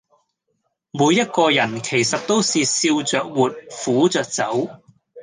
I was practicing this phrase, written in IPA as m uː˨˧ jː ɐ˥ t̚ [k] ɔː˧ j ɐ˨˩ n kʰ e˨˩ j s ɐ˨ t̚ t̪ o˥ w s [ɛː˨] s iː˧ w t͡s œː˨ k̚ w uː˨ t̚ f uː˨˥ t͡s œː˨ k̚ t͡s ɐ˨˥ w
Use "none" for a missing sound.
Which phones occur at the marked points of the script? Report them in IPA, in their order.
k, iː˨

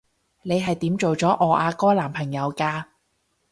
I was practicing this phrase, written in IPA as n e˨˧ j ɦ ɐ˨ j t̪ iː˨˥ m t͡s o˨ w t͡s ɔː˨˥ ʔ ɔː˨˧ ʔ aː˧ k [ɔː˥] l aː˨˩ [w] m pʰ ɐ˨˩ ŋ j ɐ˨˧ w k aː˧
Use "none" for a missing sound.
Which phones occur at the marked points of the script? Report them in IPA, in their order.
ɔː˥, none

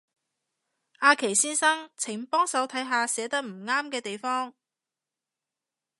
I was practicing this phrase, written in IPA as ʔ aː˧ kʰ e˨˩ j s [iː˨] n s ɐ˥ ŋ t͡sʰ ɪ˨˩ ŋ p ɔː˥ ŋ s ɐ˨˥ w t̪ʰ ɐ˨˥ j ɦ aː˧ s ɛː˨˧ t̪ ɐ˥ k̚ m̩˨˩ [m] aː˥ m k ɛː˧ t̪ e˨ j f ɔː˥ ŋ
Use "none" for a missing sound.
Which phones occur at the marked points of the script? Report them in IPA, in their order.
iː˥, ŋ

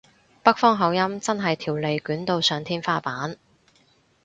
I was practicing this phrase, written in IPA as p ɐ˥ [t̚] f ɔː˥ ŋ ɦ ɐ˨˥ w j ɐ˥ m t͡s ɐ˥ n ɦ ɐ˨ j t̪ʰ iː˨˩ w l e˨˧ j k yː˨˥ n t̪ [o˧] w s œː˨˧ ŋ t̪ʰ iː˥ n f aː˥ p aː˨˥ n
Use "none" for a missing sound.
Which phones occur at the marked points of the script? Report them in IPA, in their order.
k̚, o˧

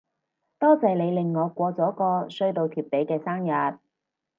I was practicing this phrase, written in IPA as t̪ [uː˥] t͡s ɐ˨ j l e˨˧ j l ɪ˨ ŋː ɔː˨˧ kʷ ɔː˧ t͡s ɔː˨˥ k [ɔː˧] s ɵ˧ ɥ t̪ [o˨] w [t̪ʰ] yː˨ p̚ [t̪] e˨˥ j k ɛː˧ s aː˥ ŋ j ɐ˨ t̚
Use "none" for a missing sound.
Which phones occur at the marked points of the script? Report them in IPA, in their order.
ɔː˥, ɔː˧, o˨, t̪ʰ, t̪

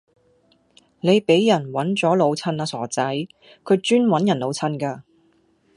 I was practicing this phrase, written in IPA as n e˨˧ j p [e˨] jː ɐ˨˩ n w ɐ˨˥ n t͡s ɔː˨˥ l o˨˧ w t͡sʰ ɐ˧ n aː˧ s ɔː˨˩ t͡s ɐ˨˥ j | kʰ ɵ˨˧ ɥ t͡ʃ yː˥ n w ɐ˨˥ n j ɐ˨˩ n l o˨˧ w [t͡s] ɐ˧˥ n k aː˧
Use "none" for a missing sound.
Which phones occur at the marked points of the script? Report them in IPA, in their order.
e˨˥, t͡sʰ

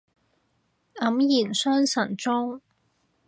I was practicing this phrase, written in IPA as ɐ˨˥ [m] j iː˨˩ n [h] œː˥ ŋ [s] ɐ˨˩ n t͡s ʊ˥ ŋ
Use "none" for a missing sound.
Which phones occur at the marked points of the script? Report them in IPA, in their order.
m, s, s

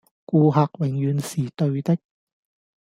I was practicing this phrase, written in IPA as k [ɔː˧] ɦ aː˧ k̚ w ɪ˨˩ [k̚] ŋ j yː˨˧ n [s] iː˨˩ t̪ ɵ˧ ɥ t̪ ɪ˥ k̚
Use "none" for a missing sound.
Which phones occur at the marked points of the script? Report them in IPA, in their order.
uː˧, none, s

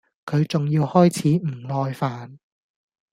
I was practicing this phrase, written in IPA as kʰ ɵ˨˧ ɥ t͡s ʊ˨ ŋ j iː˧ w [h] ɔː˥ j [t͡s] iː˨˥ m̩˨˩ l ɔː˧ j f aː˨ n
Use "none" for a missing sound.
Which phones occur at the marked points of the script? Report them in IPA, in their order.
h, t͡sʰ

